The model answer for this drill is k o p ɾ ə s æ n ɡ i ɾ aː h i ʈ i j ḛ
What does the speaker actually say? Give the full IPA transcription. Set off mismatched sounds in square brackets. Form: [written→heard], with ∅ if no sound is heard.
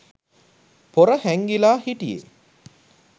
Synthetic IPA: [k→p] o [p→∅] ɾ ə [s→h] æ [n→ŋ] ɡ i [ɾ→l] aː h i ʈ i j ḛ